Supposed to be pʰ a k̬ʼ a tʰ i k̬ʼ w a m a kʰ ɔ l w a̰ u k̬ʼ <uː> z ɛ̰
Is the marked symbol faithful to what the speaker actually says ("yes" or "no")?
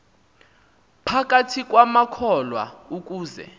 yes